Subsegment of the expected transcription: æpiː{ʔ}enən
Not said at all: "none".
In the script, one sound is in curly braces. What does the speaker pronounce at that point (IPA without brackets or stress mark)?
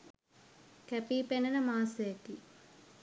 p